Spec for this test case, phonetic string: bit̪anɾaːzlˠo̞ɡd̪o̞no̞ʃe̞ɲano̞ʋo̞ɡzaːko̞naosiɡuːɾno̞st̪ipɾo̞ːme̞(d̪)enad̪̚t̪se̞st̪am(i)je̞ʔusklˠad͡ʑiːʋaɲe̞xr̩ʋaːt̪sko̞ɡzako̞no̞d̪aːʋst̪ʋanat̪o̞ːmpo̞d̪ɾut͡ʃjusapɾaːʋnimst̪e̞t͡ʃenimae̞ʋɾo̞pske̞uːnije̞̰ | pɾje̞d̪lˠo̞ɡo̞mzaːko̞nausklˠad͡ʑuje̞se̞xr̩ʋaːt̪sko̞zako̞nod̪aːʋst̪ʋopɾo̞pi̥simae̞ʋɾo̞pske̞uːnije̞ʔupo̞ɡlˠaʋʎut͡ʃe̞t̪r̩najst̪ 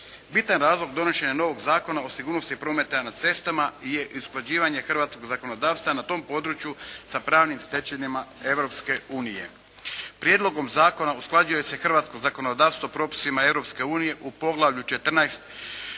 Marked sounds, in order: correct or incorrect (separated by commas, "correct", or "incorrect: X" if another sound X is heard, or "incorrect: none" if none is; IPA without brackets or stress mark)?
incorrect: t̪, incorrect: a